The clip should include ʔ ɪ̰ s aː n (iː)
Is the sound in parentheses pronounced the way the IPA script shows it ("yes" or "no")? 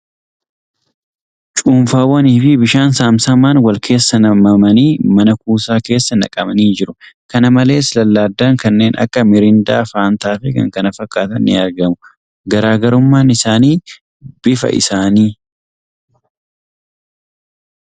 yes